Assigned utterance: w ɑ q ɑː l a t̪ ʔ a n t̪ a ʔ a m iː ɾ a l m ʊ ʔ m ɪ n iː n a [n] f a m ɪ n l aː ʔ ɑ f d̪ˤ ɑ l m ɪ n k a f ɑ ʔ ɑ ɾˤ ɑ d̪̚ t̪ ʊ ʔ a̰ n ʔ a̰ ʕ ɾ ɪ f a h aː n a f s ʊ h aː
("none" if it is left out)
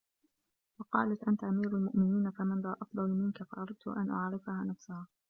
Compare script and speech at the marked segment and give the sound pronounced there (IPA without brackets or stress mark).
none